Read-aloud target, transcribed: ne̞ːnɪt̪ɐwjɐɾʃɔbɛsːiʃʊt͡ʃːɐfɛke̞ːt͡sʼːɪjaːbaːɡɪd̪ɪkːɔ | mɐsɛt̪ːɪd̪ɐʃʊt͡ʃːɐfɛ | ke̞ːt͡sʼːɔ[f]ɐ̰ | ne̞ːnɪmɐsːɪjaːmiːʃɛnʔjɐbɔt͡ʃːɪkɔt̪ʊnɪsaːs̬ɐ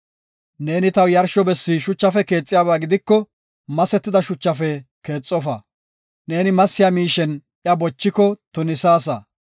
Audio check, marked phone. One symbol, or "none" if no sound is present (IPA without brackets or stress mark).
f